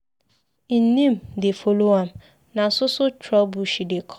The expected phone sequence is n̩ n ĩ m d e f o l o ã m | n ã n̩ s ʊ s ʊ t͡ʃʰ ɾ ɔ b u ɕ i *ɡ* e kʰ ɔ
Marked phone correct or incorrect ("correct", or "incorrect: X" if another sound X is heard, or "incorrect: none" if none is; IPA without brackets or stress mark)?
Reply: incorrect: d